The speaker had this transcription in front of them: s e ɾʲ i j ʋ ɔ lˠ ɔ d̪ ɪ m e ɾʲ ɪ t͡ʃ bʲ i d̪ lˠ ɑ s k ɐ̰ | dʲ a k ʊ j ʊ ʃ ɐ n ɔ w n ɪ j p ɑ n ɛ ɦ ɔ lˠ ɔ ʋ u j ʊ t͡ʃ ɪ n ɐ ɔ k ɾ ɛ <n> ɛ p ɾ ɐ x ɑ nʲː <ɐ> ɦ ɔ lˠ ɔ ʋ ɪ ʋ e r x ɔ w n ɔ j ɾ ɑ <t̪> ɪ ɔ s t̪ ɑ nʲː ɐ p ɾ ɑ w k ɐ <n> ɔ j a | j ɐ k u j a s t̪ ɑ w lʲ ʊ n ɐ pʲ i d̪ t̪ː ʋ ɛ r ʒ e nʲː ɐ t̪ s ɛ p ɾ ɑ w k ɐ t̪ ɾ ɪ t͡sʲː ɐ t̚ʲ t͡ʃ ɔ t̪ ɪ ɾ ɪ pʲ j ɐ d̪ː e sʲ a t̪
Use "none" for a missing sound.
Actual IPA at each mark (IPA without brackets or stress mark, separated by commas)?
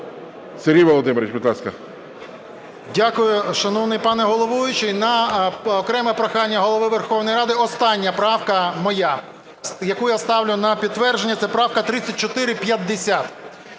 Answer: m, ɐ, d̪, m